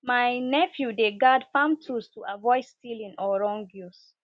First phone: m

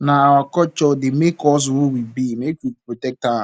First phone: n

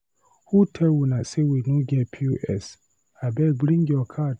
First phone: h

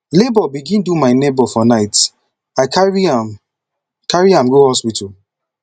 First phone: l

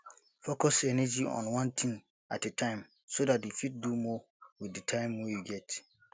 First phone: f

